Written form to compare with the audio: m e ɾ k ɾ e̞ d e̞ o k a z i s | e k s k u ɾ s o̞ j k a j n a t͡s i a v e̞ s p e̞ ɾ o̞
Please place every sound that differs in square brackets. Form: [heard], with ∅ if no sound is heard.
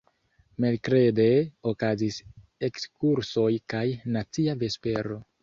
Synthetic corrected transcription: m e [l] k ɾ e̞ d e̞ o k a z i s | e k s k u ɾ s o̞ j k a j n a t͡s i a v e̞ s p e̞ ɾ o̞